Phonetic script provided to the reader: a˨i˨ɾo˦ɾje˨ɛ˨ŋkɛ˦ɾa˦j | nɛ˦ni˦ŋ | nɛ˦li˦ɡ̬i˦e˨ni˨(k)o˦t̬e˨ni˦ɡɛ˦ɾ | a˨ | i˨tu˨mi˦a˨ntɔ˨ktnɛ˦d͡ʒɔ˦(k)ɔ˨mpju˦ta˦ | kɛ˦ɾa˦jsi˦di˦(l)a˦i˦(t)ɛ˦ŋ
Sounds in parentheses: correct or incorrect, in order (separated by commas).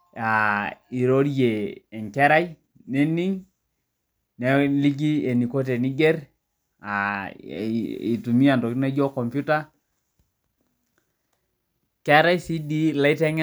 correct, correct, correct, correct